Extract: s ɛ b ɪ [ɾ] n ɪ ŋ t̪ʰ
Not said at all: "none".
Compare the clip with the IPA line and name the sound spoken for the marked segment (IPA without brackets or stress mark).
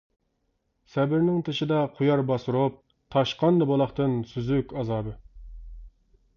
ɾ